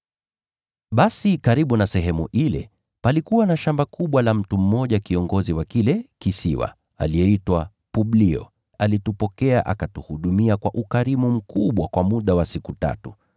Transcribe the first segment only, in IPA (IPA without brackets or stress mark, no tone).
ɓ